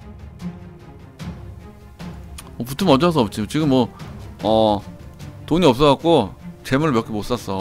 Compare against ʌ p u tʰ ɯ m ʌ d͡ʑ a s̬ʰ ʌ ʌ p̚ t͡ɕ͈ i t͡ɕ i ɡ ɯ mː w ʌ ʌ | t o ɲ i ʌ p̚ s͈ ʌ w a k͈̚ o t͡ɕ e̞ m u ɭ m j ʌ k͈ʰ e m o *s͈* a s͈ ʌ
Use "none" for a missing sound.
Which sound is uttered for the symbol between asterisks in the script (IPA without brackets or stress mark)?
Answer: s͈